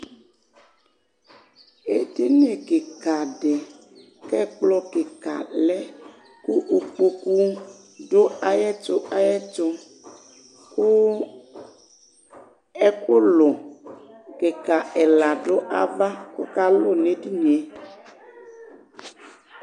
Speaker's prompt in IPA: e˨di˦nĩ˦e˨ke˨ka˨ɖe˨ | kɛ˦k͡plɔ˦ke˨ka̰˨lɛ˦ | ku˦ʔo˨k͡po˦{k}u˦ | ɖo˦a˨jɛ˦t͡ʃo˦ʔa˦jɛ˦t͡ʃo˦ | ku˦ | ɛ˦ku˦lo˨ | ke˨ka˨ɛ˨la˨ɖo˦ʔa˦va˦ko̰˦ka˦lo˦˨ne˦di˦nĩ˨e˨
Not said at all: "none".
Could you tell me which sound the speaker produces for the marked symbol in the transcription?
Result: k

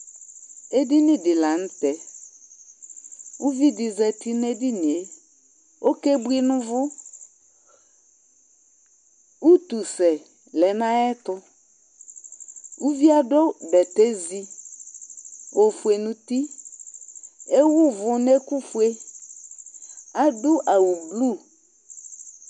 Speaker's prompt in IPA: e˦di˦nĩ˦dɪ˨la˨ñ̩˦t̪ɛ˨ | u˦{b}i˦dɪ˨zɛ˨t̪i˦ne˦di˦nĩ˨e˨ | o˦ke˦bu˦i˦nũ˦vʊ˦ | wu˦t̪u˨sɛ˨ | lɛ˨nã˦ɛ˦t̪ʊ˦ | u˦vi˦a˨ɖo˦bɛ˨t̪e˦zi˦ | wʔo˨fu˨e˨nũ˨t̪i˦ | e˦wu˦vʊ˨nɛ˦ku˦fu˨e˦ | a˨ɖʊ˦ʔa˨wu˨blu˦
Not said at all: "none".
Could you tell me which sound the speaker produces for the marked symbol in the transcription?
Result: v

